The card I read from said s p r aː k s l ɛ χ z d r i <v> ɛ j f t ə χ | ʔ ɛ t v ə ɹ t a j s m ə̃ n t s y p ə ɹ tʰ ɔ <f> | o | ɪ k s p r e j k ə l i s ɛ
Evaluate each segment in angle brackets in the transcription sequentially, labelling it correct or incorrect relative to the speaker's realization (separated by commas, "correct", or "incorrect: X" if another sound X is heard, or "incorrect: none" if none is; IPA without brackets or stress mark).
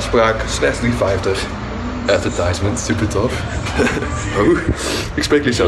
incorrect: f, correct